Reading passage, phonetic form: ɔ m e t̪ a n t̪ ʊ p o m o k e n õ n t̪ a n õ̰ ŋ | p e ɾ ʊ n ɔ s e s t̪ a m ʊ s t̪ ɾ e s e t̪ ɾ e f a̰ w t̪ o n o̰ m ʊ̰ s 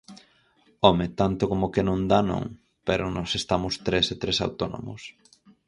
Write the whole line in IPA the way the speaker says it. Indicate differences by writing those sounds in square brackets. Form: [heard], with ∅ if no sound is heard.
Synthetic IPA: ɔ m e t̪ a n t̪ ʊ [k] o m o k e n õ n [d̪] a n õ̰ ŋ | p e ɾ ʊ n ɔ s e s t̪ a m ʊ s t̪ ɾ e s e t̪ ɾ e [s] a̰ w t̪ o n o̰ m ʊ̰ s